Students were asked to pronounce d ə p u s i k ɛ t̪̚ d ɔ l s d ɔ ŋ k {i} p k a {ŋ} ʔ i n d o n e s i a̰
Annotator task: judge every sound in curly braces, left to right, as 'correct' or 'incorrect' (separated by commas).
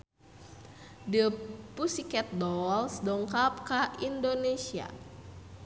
incorrect, incorrect